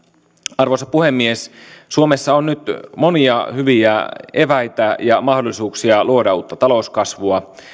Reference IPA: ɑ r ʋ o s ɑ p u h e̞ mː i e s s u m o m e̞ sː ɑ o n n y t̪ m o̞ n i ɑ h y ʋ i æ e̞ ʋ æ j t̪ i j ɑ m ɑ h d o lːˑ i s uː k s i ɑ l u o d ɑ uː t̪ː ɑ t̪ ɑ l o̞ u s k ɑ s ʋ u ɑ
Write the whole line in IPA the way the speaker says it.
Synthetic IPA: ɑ r ʋ o s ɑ p u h e̞ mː i e s s u o m e̞ sː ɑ o n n y t̪ m o̞ n i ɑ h y ʋ i æ e̞ ʋ æ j t̪ æ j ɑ m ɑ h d o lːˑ i s uː k s i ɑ l u o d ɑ uː t̪ː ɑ t̪ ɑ l o̞ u s k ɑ s ʋ u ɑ

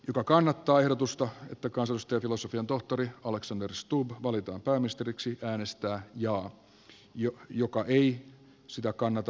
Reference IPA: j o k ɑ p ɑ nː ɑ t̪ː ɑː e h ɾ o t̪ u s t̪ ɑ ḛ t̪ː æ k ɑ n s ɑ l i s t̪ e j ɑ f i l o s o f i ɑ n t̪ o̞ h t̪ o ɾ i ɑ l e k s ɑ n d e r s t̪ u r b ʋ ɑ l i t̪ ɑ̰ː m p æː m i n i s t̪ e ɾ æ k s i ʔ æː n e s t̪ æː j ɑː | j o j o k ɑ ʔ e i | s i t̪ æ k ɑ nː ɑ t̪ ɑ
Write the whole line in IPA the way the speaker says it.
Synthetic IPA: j o k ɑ k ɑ nː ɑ t̪ː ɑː e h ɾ o t̪ u s t̪ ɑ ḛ t̪ː æ k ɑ n s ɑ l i s t̪ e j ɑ f i l o s o f i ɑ n t̪ o̞ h t̪ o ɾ i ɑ l e k s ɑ n d e r s t̪ u b ʋ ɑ l i t̪ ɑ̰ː m p æː m i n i s t̪ e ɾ i k s i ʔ æː n e s t̪ æː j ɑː | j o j o k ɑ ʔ e i | s i t̪ æ k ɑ nː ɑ t̪ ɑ

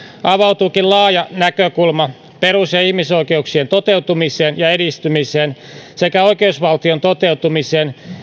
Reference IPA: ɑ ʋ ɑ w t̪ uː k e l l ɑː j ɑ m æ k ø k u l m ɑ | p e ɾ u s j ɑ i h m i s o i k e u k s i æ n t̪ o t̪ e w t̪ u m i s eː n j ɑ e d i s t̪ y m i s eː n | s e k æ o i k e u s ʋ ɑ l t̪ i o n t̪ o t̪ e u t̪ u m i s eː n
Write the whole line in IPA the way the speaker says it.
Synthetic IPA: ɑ ʋ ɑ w t̪ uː k i l l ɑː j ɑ n æ k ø k u l m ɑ | p e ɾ u s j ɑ i h m i s o i k e u k s i e n t̪ o t̪ e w t̪ u m i s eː n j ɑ e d i s t̪ y m i s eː n | s e k æ o i k e u s ʋ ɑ l t̪ i o n t̪ o t̪ e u t̪ u m i s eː n

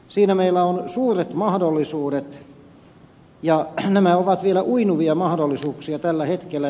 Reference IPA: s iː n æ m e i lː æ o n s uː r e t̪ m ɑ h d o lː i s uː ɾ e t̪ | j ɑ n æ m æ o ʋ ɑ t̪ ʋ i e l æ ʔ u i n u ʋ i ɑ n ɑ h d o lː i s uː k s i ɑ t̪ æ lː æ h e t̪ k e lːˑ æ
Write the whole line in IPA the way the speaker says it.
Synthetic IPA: s iː n æ m e i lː æ o n s uː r e t̪ m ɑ h d o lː i s uː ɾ e t̪ | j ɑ n æ m æ o ʋ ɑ t̪ ʋ i e l æ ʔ u i n u ʋ i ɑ m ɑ h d o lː i s uː k s i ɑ t̪ æ lː æ h e t̪ k e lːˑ æ

